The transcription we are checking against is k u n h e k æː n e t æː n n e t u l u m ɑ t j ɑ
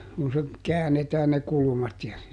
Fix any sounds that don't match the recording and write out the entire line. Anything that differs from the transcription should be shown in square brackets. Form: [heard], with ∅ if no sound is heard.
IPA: k u n [s] e k æː n e t æː n n e [k] u l u m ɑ t j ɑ